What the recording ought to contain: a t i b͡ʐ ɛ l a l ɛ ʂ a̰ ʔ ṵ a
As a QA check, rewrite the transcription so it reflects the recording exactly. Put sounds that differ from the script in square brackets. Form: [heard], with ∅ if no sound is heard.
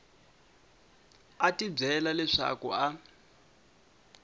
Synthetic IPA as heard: a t i b͡ʐ ɛ l a l ɛ ʂ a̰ [k] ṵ a